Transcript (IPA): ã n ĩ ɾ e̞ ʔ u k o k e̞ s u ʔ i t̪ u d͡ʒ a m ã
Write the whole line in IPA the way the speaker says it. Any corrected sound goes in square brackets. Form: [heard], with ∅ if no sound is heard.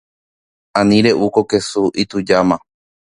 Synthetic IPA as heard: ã n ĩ ɾ e̞ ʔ u k o k e̞ s u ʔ i t̪ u d͡ʒ a m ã